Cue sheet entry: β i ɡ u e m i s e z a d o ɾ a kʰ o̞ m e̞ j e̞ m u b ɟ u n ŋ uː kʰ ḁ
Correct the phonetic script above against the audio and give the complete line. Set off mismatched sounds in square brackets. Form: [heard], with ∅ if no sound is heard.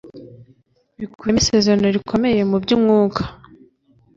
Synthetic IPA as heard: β i [k] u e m i s e z a [n] o ɾ [i] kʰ o̞ m e̞ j e̞ m u b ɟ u [m] ŋ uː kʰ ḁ